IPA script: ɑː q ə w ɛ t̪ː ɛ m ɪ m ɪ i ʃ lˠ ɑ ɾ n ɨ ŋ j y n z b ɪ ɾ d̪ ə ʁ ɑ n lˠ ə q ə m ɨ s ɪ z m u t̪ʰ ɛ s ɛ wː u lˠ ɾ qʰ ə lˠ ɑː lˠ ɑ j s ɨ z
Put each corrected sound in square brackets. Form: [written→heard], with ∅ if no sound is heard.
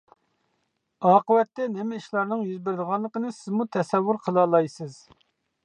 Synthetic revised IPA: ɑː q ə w ɛ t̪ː ɛ [m→n] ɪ m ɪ i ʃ lˠ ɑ ɾ n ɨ ŋ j y [n→∅] z b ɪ ɾ d̪ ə ʁ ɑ n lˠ ə q ə [m→n] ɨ s ɪ z m u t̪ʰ ɛ s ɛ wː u [lˠ→∅] ɾ qʰ ə lˠ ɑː lˠ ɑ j s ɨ z